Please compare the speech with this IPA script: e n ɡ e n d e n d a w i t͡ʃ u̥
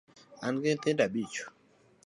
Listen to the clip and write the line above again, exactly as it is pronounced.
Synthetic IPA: a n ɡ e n t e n d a b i t͡ʃ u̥